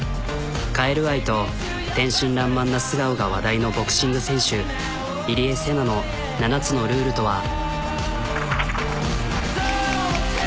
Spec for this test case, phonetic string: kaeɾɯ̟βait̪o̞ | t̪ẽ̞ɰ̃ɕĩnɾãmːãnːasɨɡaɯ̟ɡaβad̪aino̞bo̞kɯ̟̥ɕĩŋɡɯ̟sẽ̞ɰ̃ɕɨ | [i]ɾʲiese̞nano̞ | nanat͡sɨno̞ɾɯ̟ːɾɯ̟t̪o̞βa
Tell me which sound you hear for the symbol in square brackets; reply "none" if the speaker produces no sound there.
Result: i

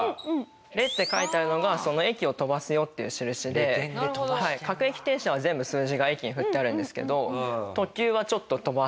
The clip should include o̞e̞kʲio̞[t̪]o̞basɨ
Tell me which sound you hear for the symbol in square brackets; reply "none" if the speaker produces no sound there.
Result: t̪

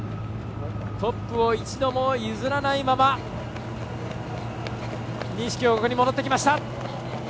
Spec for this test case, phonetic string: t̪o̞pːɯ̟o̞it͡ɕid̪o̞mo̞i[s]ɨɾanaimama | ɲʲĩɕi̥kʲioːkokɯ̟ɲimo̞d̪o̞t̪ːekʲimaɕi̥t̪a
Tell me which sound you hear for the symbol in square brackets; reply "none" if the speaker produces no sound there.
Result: z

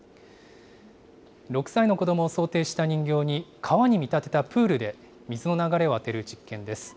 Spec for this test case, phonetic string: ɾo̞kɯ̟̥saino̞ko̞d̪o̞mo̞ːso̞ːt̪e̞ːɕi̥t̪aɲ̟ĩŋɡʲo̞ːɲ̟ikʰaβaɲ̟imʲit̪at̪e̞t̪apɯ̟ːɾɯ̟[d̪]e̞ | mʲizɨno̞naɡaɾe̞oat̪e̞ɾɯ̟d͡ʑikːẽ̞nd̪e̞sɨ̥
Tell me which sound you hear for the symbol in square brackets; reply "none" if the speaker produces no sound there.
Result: d̪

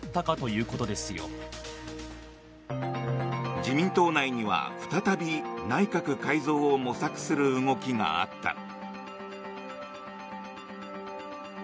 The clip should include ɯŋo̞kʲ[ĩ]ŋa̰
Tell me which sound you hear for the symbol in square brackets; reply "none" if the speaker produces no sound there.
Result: i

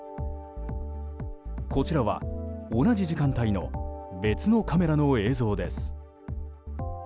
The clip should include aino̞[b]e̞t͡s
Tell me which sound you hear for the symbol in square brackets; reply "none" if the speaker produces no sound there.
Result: b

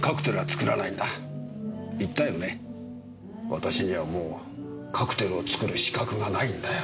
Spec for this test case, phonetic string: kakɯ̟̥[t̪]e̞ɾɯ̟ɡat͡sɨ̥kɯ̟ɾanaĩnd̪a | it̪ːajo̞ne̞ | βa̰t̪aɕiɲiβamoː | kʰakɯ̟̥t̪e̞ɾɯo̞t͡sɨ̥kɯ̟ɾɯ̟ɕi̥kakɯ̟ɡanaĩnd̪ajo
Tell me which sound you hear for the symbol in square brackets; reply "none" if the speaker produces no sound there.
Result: t̪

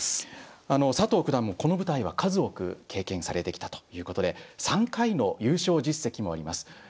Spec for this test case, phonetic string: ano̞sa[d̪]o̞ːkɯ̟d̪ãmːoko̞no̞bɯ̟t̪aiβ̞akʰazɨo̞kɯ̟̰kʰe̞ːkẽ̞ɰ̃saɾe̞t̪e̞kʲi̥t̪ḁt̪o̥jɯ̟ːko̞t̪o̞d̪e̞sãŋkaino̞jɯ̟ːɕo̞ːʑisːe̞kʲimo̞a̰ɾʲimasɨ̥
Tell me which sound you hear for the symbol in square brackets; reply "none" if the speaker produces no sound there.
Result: t̪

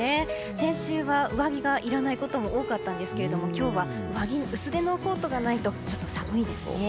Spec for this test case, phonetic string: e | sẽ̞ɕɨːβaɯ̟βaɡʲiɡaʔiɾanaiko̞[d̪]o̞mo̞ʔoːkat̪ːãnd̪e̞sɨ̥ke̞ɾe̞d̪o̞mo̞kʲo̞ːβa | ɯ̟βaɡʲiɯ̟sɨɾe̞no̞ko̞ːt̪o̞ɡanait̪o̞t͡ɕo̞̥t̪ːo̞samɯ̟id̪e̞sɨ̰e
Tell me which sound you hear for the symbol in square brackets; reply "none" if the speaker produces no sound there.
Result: t̪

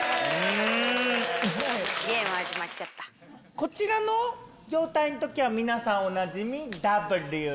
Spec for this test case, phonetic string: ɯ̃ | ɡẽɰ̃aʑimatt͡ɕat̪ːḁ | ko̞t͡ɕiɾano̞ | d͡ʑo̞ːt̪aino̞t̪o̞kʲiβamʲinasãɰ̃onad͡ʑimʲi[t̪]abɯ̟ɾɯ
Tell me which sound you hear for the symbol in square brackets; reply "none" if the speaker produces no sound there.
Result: d̪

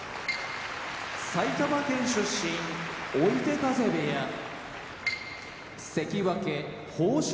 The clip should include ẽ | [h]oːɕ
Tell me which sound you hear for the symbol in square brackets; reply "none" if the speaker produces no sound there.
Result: h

